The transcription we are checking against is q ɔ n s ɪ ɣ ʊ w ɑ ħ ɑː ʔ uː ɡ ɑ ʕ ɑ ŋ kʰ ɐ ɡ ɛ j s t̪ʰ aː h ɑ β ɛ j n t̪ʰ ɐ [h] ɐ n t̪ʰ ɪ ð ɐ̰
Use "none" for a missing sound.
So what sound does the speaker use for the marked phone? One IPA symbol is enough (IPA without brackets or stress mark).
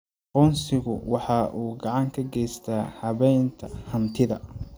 h